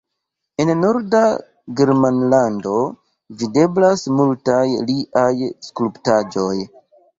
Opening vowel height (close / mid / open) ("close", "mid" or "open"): mid